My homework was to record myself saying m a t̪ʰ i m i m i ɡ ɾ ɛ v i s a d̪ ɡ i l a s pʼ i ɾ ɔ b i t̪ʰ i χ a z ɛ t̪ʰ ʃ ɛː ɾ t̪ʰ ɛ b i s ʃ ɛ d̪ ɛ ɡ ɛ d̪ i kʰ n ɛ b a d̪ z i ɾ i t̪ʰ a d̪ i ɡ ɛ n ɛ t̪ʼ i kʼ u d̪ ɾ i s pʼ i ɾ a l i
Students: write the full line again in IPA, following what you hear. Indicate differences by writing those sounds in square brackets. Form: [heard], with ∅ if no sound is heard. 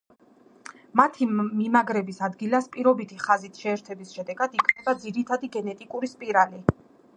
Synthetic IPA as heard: m a t̪ʰ i m i m [a] ɡ ɾ ɛ [b] i s a d̪ ɡ i l a s pʼ i ɾ ɔ b i t̪ʰ i χ a z [i] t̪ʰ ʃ ɛː ɾ t̪ʰ ɛ b i s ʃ ɛ d̪ ɛ ɡ [a] d̪ i kʰ n ɛ b a d̪ z i ɾ i t̪ʰ a d̪ i ɡ ɛ n ɛ t̪ʼ i kʼ u [∅] ɾ i s pʼ i ɾ a l i